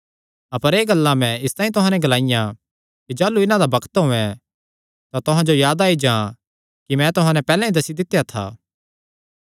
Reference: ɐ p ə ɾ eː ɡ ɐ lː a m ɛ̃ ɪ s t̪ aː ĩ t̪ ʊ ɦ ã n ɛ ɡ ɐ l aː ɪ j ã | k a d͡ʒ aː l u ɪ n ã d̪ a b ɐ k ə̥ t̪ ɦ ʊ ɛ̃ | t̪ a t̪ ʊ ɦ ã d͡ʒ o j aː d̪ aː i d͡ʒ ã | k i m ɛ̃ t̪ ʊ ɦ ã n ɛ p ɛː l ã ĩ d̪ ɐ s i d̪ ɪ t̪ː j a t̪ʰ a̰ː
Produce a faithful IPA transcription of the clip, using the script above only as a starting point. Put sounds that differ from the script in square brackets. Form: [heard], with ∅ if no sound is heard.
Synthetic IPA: ɐ p ə ɾ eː ɡ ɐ lː a m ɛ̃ ɪ s t̪ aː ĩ t̪ ʊ ɦ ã n ɛ ɡ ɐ l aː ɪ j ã | k [i] d͡ʒ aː l u ɪ n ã d̪ a b ɐ k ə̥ t̪ ɦ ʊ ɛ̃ | t̪ a t̪ ʊ ɦ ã d͡ʒ o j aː d̪ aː i d͡ʒ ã | k i m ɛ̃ t̪ ʊ ɦ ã n ɛ p ɛː l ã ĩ d̪ ɐ s i d̪ ɪ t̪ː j a t̪ʰ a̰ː